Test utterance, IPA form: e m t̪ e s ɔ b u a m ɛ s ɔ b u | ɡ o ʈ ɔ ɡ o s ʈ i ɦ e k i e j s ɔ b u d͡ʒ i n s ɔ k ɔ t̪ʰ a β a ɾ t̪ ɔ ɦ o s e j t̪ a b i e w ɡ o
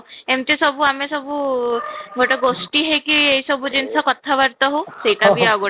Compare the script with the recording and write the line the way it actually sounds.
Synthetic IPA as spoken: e m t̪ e s ɔ b u a m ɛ s ɔ b u | ɡ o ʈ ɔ ɡ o s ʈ i ɦ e k i e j s ɔ b u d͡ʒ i n s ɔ k ɔ t̪ʰ a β a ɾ t̪ ɔ ɦ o s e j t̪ a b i a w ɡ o